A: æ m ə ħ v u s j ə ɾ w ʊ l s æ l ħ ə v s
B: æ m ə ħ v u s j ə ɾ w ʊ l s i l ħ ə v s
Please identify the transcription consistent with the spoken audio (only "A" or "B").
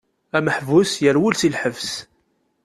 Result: B